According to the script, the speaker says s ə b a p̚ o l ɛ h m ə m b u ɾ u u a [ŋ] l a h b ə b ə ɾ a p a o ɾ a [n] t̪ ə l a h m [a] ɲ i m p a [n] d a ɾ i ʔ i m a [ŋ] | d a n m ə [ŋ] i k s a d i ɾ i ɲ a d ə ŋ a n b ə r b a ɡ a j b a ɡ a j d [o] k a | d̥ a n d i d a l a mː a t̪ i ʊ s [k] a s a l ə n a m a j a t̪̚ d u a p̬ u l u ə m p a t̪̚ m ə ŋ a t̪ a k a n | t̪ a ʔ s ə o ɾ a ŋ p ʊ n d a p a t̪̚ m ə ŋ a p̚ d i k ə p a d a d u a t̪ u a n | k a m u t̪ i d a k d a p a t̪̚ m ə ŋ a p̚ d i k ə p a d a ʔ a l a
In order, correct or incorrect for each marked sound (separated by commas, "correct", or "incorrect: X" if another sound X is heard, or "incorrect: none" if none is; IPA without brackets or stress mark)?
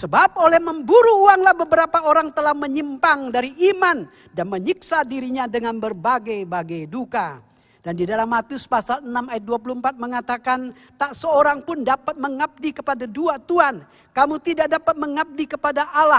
correct, incorrect: ŋ, incorrect: ə, incorrect: ŋ, incorrect: n, incorrect: ɲ, incorrect: u, incorrect: p